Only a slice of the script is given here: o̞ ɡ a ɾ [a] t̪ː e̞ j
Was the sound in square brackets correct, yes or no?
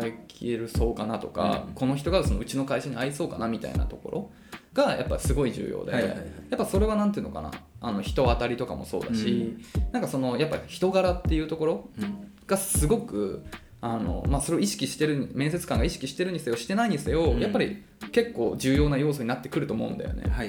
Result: yes